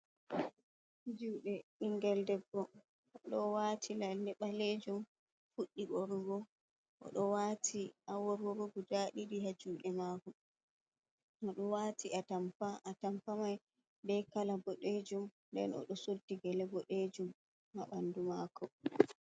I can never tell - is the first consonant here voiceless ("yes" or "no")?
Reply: no